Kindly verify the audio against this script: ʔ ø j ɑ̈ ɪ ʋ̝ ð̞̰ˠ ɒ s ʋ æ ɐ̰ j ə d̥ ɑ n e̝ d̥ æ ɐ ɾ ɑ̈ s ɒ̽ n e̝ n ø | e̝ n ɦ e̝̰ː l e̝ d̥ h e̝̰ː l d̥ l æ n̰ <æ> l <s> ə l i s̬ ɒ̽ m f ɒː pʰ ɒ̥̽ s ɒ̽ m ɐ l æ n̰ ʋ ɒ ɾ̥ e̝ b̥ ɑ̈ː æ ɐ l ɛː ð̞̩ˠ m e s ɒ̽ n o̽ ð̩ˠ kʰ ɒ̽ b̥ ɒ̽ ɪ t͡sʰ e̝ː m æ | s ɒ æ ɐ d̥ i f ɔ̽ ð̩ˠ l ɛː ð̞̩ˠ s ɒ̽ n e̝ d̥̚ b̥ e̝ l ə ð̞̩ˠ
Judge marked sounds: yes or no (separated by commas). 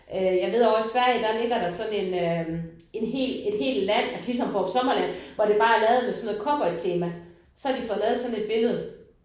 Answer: yes, yes